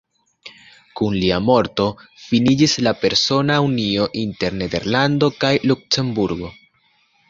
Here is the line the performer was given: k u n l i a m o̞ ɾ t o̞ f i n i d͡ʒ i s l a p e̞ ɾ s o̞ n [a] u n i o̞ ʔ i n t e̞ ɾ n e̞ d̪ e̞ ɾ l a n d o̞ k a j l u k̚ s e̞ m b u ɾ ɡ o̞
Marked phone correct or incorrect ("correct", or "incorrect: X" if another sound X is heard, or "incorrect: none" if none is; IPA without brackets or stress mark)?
correct